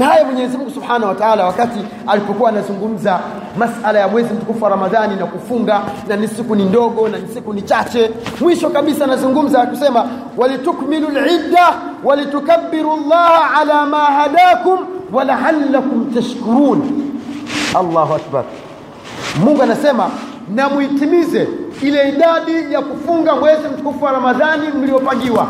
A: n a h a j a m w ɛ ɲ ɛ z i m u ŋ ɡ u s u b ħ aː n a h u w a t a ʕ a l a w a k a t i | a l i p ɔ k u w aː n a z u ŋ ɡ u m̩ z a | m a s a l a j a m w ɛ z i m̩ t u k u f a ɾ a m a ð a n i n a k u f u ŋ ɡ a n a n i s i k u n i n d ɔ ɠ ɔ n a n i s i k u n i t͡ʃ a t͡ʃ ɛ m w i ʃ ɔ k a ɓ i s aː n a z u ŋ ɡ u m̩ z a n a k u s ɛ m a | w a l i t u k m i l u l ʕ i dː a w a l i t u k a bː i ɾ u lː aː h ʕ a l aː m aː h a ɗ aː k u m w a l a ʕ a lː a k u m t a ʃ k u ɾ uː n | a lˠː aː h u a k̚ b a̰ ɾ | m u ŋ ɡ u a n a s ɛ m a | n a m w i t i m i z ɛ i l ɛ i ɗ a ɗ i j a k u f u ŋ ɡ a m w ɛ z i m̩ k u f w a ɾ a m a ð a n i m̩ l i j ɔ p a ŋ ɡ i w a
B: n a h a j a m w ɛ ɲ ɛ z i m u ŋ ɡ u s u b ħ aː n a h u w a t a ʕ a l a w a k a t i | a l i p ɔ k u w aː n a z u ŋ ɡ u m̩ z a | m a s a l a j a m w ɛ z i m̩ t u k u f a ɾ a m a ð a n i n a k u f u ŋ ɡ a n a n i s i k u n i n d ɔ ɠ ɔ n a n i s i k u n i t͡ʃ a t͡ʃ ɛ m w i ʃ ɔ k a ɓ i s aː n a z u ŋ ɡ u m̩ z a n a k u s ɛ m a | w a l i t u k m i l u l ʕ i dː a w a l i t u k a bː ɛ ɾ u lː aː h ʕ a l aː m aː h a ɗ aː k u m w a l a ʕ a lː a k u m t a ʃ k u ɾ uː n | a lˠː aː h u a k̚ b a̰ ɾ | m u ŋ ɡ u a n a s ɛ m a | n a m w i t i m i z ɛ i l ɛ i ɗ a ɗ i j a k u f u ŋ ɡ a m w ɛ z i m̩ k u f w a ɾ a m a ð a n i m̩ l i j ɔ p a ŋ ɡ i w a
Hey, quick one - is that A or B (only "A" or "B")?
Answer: A